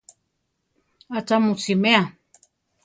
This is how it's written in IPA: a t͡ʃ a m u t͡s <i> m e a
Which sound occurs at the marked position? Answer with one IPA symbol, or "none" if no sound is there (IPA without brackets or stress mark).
i